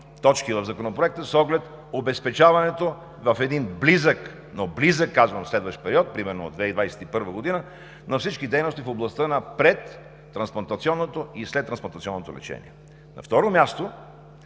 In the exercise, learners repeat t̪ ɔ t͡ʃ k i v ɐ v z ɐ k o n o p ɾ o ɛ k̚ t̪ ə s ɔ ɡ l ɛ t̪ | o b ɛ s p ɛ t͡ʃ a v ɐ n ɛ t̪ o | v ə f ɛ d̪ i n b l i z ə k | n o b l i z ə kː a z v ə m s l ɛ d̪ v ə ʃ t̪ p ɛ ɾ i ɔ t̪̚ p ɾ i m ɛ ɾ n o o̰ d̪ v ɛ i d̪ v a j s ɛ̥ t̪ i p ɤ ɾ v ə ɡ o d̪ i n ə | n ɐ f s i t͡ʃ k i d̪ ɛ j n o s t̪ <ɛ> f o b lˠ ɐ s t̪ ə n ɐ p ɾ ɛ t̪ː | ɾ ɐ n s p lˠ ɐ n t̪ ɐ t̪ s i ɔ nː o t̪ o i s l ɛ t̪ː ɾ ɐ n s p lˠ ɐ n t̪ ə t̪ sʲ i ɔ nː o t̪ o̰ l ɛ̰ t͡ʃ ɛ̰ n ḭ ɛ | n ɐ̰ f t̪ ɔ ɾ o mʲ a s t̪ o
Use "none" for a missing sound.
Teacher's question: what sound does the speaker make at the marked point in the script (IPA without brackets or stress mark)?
i